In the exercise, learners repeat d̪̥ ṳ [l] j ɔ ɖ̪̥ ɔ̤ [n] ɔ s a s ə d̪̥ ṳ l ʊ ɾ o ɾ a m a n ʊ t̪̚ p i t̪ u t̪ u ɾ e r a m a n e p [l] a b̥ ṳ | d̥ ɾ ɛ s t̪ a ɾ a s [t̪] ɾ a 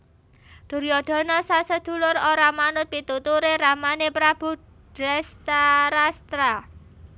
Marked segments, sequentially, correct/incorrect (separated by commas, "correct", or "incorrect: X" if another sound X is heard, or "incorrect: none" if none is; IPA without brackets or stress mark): incorrect: ɾ, correct, incorrect: ɾ, correct